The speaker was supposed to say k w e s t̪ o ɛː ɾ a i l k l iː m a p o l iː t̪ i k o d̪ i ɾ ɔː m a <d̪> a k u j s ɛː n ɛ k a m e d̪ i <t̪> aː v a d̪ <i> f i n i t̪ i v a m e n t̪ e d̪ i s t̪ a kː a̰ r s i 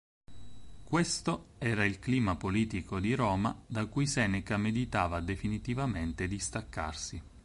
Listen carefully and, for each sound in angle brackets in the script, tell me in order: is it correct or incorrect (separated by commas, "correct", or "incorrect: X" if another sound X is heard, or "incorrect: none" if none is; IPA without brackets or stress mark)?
correct, correct, incorrect: e